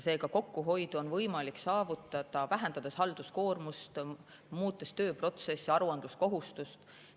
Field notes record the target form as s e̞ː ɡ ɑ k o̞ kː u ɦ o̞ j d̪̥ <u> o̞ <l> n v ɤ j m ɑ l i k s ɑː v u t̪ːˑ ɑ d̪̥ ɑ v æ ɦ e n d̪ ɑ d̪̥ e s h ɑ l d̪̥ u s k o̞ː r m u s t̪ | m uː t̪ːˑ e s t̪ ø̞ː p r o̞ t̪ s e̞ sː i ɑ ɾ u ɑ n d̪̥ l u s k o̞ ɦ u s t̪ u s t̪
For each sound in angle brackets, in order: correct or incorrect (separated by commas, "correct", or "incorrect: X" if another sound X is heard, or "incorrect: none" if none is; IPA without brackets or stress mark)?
correct, incorrect: none